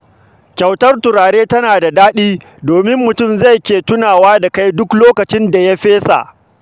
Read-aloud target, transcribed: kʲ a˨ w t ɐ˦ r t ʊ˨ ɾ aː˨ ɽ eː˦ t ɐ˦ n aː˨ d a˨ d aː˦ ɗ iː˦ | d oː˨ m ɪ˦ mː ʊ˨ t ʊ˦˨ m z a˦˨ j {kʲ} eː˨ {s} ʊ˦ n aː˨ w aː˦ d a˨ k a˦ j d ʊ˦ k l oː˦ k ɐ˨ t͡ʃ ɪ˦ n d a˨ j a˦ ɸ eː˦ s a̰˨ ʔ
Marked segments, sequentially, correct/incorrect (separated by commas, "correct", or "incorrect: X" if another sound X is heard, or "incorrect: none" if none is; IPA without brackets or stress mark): correct, incorrect: t